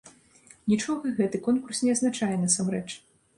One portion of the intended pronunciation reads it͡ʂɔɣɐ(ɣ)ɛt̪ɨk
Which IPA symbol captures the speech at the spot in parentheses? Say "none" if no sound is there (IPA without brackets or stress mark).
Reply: ɣ